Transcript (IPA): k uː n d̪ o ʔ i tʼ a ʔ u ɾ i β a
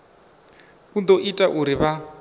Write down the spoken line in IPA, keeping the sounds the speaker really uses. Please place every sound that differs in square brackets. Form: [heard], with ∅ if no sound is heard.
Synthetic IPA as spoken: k [u] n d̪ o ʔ i tʼ a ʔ u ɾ i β a